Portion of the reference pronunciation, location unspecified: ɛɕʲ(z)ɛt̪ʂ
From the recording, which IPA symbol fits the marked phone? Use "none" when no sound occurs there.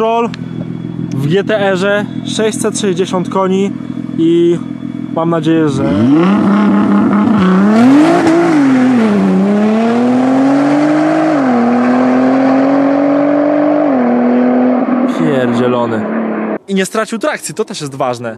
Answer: s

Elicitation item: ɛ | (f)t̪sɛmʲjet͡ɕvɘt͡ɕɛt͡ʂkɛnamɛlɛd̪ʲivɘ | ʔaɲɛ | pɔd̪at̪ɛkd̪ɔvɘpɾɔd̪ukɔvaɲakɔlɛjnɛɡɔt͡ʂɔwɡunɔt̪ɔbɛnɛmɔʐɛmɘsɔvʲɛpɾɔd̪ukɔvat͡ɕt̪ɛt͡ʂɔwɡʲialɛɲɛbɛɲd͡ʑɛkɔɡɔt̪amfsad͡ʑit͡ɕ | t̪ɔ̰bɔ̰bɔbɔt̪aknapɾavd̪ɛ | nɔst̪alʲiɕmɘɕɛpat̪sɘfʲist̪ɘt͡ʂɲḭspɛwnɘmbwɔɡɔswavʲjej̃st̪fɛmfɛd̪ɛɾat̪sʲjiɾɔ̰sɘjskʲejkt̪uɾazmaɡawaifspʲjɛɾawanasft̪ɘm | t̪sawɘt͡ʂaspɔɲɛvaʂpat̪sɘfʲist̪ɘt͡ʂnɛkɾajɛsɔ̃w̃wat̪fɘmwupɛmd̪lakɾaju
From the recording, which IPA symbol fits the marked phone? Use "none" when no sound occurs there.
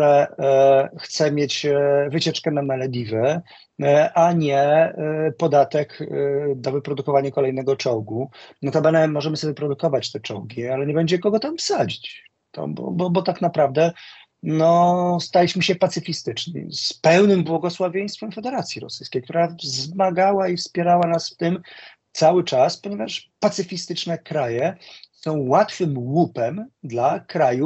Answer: x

